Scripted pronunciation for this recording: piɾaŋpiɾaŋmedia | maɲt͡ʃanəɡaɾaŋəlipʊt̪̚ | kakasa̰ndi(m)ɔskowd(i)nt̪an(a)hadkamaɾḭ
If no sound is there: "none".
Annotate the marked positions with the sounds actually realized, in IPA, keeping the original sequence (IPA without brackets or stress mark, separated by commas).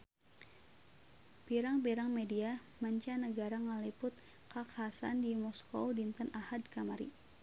m, i, a